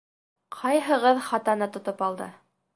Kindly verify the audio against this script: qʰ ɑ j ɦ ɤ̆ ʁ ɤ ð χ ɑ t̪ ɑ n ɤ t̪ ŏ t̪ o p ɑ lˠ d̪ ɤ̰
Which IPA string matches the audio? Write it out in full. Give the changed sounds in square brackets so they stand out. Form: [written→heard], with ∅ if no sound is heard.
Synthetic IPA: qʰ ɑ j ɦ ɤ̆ ʁ ɤ ð χ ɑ t̪ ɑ n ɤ t̪ ŏ t̪ o p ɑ lˠ d̪ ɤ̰